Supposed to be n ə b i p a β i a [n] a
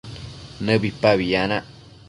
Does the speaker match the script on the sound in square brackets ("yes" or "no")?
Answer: yes